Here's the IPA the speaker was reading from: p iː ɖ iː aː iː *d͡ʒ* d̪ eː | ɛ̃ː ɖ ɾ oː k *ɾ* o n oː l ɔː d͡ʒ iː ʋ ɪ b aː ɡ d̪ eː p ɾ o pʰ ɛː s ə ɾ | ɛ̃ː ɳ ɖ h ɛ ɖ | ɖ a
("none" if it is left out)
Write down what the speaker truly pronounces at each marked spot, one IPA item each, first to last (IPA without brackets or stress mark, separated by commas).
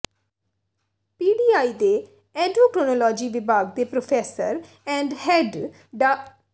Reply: none, ɾ